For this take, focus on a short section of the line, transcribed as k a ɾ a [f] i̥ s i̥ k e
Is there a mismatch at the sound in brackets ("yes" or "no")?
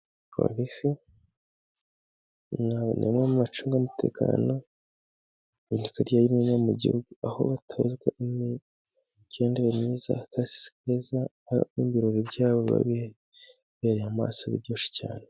yes